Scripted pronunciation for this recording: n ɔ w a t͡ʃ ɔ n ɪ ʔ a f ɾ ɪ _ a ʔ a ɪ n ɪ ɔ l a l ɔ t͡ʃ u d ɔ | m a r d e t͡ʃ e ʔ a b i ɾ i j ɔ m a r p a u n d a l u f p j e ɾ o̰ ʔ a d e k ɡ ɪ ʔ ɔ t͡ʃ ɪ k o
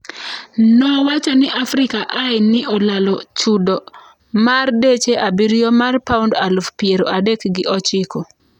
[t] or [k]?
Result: k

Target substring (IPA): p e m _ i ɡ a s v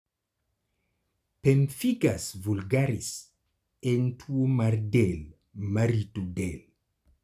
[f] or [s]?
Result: f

